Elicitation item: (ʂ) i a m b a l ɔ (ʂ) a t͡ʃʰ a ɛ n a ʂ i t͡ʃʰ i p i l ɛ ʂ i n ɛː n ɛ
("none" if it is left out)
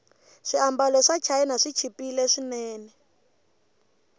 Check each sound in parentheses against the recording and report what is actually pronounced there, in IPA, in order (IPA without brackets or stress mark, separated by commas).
ʂ, ʂ